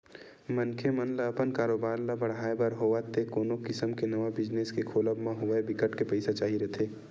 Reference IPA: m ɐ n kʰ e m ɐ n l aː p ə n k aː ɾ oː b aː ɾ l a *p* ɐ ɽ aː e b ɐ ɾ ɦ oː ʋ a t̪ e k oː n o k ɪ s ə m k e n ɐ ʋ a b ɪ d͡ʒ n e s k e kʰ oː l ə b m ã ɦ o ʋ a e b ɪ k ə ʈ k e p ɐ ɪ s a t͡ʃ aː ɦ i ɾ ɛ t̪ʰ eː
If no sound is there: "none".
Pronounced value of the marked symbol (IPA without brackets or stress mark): b